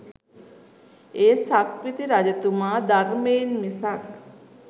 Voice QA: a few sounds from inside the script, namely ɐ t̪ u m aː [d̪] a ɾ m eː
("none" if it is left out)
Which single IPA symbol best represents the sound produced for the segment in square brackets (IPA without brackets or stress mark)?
d̪